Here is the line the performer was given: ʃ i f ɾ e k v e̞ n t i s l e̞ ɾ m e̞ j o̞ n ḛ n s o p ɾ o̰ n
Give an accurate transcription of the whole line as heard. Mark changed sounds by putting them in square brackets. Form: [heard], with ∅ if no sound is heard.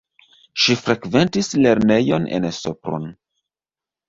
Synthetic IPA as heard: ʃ i f ɾ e k v e̞ n t i s l e̞ ɾ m e̞ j o̞ n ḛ n s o p ɾ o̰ n